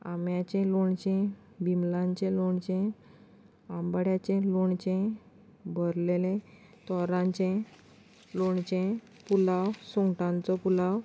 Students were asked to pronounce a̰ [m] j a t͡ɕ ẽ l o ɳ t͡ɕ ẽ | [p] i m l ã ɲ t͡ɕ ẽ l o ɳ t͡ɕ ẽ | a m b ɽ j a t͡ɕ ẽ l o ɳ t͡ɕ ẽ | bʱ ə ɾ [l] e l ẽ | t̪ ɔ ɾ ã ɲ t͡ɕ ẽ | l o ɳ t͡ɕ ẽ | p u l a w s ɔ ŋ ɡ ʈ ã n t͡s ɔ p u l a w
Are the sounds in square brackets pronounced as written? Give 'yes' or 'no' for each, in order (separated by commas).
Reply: yes, no, yes